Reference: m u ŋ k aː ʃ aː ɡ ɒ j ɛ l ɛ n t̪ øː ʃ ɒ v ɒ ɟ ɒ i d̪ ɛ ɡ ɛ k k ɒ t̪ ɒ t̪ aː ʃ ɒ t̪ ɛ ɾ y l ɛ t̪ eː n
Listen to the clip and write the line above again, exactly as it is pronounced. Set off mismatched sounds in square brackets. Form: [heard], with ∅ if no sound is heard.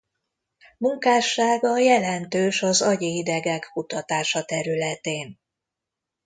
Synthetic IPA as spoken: m u ŋ k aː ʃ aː ɡ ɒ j ɛ l ɛ n t̪ øː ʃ ɒ [z] ɒ ɟ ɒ i d̪ ɛ ɡ ɛ k k [u] t̪ ɒ t̪ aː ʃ ɒ t̪ ɛ ɾ y l ɛ t̪ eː n